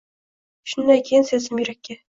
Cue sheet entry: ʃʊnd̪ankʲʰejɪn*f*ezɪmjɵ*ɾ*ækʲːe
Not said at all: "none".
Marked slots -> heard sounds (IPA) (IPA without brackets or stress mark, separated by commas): s, ɾ